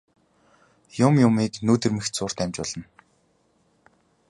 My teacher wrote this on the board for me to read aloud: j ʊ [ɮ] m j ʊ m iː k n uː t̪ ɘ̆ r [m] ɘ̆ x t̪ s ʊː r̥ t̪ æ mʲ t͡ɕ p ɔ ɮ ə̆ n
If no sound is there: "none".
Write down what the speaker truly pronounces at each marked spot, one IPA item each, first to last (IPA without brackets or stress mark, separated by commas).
none, m